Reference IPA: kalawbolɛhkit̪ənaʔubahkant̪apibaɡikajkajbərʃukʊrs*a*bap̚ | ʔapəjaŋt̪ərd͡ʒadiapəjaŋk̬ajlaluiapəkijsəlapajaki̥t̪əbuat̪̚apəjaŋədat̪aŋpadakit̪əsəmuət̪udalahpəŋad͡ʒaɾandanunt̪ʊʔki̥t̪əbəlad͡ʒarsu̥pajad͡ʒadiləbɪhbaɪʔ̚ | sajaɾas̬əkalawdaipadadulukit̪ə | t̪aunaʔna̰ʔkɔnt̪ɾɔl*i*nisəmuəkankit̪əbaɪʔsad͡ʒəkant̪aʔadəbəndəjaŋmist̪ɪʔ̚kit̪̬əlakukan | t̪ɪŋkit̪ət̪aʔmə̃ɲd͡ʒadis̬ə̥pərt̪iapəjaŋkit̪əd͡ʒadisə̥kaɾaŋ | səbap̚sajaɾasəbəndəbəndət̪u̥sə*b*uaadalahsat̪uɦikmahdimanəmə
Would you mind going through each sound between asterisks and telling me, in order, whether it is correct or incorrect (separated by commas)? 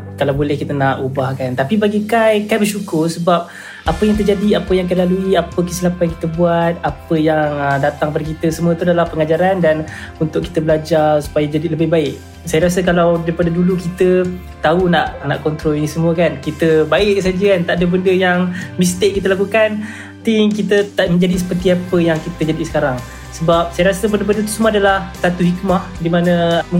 incorrect, correct, incorrect